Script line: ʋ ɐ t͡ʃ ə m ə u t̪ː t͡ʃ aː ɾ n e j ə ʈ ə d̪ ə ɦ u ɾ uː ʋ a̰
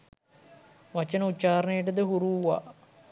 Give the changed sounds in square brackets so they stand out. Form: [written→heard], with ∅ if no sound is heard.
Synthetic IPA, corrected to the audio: ʋ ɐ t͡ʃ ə [m→n] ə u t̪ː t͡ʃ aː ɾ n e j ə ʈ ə d̪ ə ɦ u ɾ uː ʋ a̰